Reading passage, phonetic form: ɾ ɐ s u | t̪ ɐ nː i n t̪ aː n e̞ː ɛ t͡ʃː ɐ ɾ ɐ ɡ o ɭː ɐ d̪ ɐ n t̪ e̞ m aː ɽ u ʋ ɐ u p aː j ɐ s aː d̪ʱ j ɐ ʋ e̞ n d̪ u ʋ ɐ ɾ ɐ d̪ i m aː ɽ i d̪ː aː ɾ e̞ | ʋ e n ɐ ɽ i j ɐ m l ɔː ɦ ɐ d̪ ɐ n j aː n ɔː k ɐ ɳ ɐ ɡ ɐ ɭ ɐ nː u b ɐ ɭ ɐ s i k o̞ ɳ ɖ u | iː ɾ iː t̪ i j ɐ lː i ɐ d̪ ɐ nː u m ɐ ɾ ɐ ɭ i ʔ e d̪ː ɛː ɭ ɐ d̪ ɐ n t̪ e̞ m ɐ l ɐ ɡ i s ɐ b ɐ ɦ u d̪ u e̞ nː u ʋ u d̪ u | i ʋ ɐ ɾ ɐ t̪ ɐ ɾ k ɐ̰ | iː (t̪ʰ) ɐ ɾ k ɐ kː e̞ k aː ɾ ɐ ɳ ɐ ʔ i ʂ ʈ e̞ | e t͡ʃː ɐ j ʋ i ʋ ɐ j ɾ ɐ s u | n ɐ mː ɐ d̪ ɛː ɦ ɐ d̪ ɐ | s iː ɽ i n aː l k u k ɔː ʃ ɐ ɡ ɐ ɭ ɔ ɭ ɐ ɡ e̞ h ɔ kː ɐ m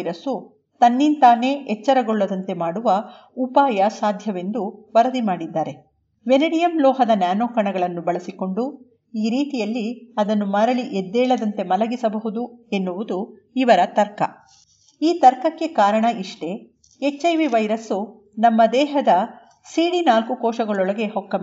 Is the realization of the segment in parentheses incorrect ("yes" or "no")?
yes